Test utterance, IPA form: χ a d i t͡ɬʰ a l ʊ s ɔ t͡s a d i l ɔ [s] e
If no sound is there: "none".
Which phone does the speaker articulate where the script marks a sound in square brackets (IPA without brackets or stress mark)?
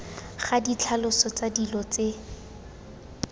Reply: t͡s